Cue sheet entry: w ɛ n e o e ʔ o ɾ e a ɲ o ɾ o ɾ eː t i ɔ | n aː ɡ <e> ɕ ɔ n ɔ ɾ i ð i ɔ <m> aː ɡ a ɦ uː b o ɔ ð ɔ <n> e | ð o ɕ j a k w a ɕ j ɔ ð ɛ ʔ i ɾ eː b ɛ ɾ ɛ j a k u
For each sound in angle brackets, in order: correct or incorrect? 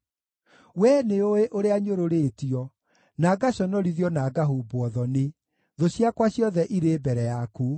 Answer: incorrect: a, incorrect: n, correct

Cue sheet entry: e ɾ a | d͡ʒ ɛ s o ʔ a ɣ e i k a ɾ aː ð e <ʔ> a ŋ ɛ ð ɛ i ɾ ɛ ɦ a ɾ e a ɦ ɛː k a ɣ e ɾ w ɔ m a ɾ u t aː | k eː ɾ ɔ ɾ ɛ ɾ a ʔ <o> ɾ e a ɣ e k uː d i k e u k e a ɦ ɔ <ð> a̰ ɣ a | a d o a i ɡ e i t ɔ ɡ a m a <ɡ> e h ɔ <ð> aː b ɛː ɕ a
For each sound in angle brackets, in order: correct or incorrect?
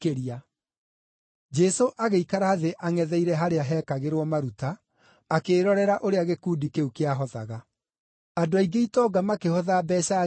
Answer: correct, correct, correct, incorrect: k, correct

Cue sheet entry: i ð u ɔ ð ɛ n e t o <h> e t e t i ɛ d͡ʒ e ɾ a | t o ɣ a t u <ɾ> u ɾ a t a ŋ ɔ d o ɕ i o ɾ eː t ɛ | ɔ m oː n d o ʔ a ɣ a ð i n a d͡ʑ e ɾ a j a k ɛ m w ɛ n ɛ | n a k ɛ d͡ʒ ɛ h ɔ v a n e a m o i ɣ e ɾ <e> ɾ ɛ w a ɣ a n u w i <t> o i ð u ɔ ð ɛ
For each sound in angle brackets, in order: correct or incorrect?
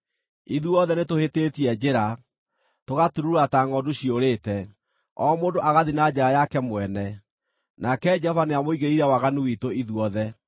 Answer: correct, correct, incorrect: i, correct

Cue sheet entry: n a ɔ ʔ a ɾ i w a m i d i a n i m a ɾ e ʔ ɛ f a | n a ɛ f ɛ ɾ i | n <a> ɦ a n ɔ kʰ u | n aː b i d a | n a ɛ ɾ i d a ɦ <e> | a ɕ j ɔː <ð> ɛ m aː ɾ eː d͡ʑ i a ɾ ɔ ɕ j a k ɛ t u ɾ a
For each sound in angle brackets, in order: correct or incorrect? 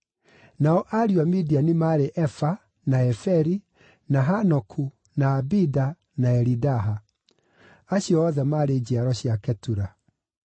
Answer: correct, incorrect: a, correct

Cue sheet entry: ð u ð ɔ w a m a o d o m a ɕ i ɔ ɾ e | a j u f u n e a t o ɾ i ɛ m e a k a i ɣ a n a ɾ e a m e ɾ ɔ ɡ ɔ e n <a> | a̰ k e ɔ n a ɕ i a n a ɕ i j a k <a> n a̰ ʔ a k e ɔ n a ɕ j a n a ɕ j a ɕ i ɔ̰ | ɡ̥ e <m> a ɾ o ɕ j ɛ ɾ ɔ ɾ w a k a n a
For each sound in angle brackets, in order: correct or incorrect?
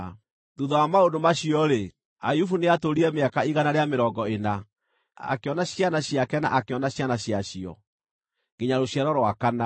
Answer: correct, incorrect: ɛ, incorrect: ɲ

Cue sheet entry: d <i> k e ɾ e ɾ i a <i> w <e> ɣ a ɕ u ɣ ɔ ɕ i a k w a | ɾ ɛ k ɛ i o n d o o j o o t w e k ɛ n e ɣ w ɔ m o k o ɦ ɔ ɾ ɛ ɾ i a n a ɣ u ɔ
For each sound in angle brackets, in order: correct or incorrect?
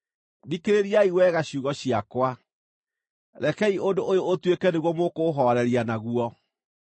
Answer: correct, correct, incorrect: ɛ

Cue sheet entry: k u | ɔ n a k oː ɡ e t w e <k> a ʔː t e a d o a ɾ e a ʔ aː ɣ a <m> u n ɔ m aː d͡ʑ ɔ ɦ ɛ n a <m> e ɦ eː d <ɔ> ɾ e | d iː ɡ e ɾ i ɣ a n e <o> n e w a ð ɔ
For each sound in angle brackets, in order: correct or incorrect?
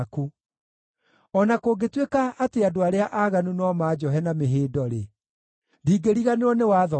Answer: correct, incorrect: n, correct, correct, incorrect: ɔ

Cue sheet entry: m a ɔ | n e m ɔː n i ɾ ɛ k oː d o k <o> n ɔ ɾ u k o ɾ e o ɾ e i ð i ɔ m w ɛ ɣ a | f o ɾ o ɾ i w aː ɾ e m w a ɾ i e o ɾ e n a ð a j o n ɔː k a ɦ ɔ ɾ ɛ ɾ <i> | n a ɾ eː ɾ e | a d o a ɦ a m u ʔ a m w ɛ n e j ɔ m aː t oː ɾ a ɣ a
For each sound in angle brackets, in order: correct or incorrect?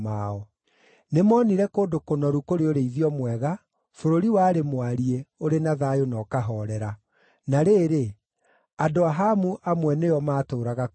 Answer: correct, incorrect: a

